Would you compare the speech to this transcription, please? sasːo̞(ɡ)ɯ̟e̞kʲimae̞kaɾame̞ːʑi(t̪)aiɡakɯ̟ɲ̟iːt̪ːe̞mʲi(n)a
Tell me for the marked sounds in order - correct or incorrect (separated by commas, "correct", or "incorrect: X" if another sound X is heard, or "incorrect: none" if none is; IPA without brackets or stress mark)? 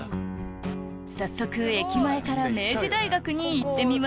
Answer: incorrect: k, incorrect: d̪, incorrect: m